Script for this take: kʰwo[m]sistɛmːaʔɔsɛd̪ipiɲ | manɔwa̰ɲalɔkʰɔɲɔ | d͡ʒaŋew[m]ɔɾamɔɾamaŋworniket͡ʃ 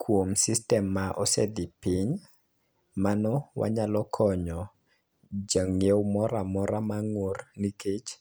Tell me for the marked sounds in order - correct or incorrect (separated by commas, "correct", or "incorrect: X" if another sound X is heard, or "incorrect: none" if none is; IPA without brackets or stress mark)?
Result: correct, correct